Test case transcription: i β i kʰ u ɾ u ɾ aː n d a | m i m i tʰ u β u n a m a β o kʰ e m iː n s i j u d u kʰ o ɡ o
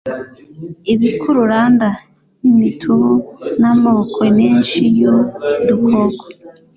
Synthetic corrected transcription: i β i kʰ u ɾ u ɾ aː n d a | n i m i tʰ u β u n a m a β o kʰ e m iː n ʃ i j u d u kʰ o ɡ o

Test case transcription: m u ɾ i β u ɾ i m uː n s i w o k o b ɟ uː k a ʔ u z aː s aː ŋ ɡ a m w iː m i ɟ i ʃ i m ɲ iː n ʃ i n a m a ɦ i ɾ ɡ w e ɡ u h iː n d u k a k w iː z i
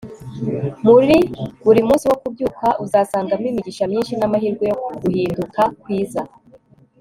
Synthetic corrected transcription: m u ɾ i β u ɾ i m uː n s i w o k u b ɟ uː k a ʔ u z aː s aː ŋ ɡ a m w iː m i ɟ i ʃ a m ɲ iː n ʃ i n a m a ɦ i ɾ ɡ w e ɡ u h iː n d u k a k w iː z a

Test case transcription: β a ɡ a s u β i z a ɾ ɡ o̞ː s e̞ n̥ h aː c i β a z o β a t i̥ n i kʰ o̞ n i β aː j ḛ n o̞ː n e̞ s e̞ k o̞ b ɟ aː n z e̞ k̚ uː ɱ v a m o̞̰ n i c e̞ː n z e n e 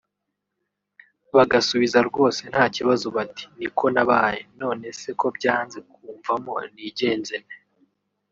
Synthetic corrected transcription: β a ɡ a s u β i z a ɾ ɡ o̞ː s e̞ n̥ h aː c i β a z o β a t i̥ n i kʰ o̞ n a β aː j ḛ n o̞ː n e̞ s e̞ k o̞ b ɟ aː n z e̞ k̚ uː ɱ v a m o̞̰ n i ɟ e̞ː n z e n e

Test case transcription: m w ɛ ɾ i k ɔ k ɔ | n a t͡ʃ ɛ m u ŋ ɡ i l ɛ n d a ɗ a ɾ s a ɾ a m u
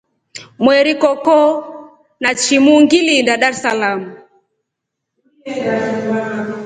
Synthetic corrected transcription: m w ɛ ɾ i k ɔ k ɔ | n a t͡ʃ i m u ŋ ɡ i l i n d a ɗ a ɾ s a l a m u

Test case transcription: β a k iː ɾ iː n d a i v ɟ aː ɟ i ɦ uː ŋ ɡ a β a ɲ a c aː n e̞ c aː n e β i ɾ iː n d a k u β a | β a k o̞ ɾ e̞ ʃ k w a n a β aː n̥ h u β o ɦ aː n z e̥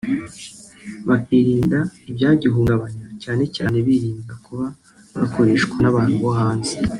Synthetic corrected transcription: β a k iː ɾ iː n d a i b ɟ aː ɟ i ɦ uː ŋ ɡ a β a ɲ a c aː n e̞ c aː n e β i ɾ iː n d a k u β a | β a k o̞ ɾ e̞ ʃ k w a n a β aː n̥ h u β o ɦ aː n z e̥

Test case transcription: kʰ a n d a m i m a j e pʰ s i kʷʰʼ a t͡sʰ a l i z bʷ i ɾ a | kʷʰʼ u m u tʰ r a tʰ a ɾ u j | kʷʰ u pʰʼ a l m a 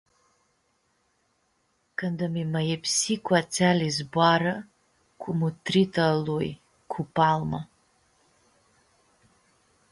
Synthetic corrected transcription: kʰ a n d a m i m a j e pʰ s i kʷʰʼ a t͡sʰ a l i z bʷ a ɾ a | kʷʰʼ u m u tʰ r i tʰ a l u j | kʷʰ u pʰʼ a l m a

